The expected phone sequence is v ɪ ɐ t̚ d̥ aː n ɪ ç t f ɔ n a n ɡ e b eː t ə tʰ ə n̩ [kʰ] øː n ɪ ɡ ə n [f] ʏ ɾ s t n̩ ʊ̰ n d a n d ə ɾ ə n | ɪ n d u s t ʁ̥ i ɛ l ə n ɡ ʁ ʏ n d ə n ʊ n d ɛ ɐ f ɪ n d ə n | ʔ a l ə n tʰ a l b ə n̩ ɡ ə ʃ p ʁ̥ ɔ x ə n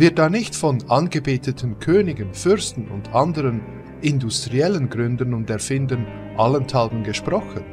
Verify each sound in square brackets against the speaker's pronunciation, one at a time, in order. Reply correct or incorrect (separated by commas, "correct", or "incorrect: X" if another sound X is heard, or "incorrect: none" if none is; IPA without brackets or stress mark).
correct, correct